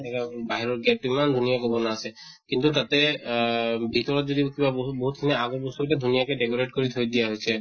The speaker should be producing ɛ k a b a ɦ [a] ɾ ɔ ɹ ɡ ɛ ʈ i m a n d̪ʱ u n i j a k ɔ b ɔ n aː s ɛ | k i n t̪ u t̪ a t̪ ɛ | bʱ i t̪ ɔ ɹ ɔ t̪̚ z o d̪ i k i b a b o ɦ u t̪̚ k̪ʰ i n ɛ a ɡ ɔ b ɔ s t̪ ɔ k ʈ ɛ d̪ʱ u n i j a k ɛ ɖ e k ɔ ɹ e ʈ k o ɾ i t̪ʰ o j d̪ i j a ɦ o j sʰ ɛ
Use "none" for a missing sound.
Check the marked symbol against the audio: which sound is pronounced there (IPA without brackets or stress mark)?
i